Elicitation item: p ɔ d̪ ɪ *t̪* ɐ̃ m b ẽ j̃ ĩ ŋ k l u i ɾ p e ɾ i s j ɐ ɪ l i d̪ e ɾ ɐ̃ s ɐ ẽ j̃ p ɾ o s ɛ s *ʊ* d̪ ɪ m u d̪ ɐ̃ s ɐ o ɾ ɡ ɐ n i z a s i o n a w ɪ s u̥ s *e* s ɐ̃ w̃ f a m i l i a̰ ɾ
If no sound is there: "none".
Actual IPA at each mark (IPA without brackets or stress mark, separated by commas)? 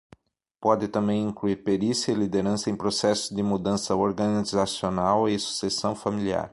t̪, ʊ, e